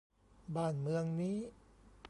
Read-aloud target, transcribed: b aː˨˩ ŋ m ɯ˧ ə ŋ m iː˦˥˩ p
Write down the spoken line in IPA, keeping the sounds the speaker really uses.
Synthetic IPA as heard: b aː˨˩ n m ɯ˧ ə ŋ n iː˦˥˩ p

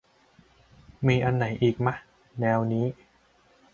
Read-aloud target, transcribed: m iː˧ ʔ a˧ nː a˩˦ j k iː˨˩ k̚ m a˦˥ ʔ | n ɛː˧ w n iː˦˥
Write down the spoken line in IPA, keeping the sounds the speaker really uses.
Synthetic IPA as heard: m iː˧ ʔ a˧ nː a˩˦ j ʔ iː˨˩ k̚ m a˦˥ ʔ | n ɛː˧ w n iː˦˥

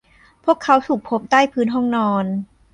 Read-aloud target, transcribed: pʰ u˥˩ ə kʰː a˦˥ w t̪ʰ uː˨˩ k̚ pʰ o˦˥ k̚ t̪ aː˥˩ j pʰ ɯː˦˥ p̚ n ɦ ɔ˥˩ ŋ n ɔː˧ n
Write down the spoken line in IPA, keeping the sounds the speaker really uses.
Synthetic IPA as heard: pʰ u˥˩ ə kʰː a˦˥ w t̪ʰ uː˨˩ k̚ pʰ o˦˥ p̚ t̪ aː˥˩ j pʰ ɯː˦˥ n ɦ ɔ˥˩ ŋ n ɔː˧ n

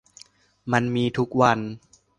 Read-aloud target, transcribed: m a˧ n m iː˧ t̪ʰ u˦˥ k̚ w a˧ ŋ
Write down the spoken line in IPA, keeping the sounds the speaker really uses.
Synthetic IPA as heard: m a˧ n m iː˧ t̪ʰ u˦˥ k̚ w a˧ n

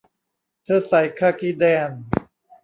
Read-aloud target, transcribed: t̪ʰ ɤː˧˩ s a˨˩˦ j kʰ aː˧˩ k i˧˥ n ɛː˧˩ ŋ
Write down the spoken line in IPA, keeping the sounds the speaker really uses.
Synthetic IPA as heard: t̪ʰ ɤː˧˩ s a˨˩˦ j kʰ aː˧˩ k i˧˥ d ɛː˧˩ n

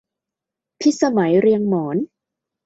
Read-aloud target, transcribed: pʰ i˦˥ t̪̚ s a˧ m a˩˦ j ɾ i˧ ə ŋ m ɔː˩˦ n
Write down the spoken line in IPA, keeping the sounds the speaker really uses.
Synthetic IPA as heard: pʰ i˦˥ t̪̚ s a˧ m a˩˦ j ɾ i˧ ə ŋ m ɔː˩˦ n

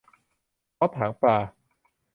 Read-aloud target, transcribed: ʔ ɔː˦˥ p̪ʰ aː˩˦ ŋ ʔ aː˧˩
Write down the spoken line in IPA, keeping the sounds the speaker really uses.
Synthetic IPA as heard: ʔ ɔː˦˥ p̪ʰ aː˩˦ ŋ p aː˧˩

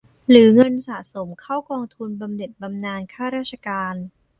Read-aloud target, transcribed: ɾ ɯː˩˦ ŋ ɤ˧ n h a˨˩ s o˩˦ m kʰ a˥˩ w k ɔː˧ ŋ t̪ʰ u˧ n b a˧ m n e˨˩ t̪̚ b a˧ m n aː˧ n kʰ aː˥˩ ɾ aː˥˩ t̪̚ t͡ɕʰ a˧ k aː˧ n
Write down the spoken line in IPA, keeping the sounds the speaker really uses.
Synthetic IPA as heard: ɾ ɯː˩˦ ŋ ɤ˧ n s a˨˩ s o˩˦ m kʰ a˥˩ w k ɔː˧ ŋ t̪ʰ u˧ n b a˧ m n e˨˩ t̪̚ b a˧ m n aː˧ n kʰ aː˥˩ ɾ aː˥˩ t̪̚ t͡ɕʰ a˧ k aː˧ n

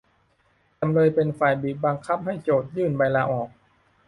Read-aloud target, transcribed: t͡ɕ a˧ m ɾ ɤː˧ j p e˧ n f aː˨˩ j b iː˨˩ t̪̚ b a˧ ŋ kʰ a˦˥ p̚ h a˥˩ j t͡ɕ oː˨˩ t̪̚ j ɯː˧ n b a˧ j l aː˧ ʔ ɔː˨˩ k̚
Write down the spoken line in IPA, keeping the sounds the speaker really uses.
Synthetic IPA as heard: t͡ɕ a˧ m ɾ ɤː˧ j p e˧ n f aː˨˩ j b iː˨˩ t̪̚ b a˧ ŋ kʰ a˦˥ p̚ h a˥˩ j t͡ɕ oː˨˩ t̪̚ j ɯː˥˩ n b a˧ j l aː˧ ʔ ɔː˨˩ k̚

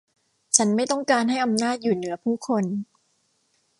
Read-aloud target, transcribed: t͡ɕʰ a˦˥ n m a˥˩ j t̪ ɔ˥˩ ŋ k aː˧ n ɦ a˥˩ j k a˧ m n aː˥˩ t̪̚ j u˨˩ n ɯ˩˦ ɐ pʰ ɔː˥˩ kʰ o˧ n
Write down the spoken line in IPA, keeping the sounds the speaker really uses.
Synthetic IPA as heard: t͡ɕʰ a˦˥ n m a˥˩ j t̪ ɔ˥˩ ŋ k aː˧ n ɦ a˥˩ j ʔ a˧ m n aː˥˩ t̪̚ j uː˨˩ n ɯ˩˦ ɐ pʰ uː˥˩ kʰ o˧ n

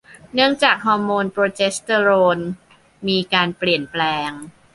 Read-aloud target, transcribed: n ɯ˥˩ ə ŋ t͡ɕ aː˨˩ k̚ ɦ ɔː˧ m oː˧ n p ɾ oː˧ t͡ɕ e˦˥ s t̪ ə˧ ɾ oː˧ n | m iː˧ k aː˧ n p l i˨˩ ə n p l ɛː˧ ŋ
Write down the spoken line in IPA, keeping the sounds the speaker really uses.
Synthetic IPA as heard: n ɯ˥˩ ə ŋ t͡ɕ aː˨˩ k̚ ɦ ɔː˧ m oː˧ n p ɾ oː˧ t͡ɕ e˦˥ s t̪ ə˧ ɾ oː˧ n | m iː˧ k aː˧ n p l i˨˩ ə n p l ɛː˧ ŋ

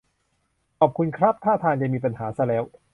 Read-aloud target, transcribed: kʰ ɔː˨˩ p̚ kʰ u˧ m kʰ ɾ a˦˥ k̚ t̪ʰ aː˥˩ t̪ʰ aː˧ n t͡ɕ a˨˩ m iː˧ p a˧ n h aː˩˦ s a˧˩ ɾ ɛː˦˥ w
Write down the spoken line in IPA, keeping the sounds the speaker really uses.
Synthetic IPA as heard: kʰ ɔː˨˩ p̚ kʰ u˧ n kʰ ɾ a˦˥ p̚ t̪ʰ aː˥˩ t̪ʰ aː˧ n t͡ɕ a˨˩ m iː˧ p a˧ n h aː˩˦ s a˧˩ l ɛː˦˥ w

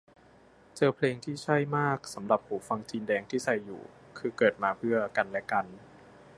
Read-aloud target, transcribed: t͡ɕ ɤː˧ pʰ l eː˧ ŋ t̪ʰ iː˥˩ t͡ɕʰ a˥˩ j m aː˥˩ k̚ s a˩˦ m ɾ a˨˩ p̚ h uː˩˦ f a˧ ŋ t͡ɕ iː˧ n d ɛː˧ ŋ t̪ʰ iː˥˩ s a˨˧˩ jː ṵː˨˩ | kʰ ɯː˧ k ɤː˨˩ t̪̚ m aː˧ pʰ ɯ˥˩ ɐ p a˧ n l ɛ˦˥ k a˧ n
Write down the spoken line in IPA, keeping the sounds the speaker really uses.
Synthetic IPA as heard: t͡ɕ ɤː˧ pʰ l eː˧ ŋ t̪ʰ iː˥˩ t͡ɕʰ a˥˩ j m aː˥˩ k̚ s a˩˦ m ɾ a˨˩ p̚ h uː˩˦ f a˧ ŋ t͡ɕ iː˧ n d ɛː˧ ŋ t̪ʰ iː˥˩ s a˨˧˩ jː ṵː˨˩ | kʰ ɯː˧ k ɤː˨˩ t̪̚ m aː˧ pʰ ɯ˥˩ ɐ k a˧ n l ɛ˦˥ k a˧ n

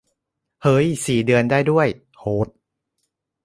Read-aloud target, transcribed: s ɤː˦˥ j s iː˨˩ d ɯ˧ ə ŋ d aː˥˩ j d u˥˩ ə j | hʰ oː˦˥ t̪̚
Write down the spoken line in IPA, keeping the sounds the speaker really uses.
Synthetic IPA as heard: h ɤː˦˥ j s iː˨˩ d ɯ˧ ə n d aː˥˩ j d u˥˩ ə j | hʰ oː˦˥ t̪̚

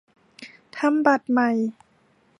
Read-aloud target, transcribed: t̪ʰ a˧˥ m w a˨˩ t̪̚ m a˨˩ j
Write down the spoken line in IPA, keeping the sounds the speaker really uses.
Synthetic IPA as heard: t̪ʰ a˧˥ m b a˨˩ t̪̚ m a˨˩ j

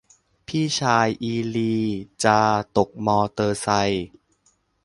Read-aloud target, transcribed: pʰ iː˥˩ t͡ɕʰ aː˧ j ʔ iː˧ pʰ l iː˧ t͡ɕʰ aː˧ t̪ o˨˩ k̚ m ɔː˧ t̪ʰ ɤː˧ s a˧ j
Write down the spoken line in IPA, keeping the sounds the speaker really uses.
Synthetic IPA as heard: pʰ iː˥˩ t͡ɕʰ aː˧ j ʔ iː˧ l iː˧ t͡ɕ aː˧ t̪ o˨˩ k̚ m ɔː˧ t̪ ɤː˧ s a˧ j

